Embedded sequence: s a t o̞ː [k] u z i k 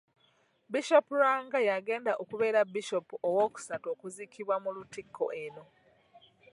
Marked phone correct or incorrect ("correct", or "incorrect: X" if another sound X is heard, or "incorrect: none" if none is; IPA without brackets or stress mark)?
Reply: correct